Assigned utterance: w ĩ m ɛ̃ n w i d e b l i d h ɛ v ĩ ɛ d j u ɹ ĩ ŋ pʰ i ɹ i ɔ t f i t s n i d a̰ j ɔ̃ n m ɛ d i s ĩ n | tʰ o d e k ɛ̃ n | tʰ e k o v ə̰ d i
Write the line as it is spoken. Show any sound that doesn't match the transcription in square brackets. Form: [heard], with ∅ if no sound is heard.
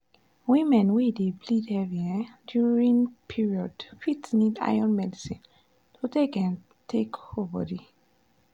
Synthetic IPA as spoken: w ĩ m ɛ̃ n w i d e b l i d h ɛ v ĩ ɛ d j u ɹ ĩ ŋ pʰ i ɹ i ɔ [d] f i t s n i d a̰ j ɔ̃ n m ɛ d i s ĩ n | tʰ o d e k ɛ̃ n | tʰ e k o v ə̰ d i